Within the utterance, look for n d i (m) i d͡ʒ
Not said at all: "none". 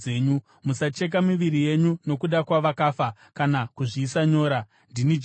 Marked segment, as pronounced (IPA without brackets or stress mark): n